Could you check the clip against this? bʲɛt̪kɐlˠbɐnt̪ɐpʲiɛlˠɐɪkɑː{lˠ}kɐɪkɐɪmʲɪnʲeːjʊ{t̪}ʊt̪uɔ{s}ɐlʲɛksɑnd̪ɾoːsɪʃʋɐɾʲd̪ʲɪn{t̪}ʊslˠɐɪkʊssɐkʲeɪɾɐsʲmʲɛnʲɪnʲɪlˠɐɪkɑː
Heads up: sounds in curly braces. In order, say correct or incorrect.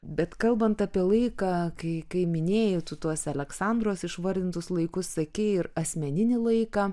incorrect: none, correct, correct, correct

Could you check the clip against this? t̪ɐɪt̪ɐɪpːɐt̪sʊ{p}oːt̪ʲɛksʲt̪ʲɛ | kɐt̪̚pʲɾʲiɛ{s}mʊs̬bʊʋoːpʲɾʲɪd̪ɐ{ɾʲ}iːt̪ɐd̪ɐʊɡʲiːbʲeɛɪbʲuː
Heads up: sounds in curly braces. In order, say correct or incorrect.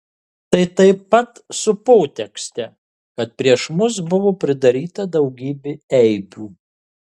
correct, incorrect: ʃ, correct

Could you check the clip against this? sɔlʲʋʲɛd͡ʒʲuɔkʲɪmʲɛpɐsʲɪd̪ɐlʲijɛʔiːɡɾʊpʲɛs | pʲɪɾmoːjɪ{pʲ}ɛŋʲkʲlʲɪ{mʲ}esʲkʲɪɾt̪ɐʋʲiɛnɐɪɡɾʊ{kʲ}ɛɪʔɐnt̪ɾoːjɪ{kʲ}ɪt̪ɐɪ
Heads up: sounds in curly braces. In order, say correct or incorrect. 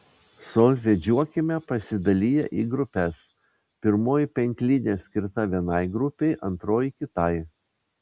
correct, incorrect: nʲ, incorrect: pʲ, correct

